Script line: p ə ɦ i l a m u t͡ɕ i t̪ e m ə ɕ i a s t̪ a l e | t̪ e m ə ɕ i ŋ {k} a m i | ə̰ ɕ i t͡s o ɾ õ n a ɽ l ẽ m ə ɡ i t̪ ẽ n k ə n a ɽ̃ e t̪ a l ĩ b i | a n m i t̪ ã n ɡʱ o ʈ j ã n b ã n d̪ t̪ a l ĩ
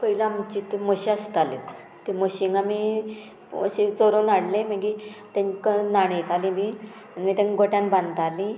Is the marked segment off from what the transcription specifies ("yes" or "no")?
yes